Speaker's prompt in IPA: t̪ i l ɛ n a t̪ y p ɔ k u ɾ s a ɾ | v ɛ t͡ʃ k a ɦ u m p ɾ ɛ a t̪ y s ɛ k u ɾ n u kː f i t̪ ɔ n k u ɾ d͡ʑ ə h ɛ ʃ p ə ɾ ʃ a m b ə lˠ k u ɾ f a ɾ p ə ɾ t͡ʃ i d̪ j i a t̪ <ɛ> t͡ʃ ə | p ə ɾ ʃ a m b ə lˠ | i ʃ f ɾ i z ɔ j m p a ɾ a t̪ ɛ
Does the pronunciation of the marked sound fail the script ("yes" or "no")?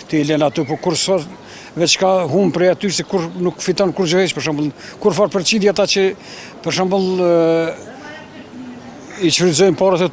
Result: yes